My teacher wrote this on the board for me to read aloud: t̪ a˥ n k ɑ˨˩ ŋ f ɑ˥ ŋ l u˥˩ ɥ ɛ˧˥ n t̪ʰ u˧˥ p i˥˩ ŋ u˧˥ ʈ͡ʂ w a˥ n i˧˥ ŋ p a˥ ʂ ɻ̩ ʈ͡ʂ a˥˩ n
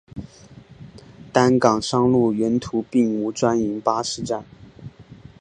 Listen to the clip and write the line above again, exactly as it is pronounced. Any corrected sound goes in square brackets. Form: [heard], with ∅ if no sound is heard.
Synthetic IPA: t̪ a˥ n k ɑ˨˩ ŋ [ʂ] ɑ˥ ŋ l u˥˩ ɥ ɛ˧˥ n t̪ʰ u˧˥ p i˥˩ ŋ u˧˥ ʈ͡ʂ w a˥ n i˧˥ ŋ p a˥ ʂ ɻ̩ ʈ͡ʂ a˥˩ n